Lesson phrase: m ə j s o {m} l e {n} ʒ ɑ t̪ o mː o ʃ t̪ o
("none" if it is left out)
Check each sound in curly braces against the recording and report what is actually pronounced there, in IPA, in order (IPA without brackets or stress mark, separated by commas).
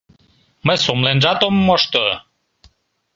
m, n